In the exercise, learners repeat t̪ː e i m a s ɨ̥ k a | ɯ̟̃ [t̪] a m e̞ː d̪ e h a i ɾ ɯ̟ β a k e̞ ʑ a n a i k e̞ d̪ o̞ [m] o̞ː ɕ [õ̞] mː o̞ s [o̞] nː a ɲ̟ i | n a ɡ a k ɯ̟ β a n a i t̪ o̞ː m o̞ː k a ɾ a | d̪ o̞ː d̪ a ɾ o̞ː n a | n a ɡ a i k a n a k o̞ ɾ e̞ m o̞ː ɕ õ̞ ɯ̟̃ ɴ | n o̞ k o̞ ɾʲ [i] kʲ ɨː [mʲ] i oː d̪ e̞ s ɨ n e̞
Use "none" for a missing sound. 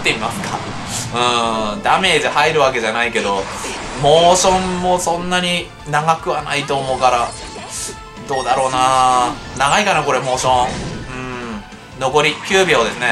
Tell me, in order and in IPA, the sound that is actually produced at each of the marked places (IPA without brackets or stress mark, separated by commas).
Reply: d̪, m, õ̞, õ̞, i, bʲ